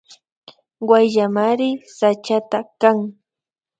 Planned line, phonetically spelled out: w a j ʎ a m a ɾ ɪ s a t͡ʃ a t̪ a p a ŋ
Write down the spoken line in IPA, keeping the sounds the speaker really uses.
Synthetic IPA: w a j ʎ a m a ɾ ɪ s a t͡ʃ a t̪ a k a ŋ

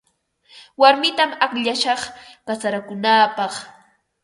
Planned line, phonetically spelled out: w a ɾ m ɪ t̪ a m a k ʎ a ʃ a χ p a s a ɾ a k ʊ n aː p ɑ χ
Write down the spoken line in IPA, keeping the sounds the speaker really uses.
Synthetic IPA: w a ɾ m ɪ t̪ a m a k ʎ a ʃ ɑ χ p a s a ɾ a k ʊ n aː p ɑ χ

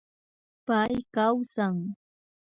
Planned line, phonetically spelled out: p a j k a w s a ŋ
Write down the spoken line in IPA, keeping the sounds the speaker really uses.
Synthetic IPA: p a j k a w s a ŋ

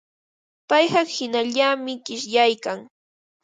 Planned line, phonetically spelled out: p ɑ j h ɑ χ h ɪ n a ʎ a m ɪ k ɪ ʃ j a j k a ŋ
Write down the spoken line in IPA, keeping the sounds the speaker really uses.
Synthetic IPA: p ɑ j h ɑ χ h ɪ n a ʎ a m ɪ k ɪ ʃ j a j k a ŋ

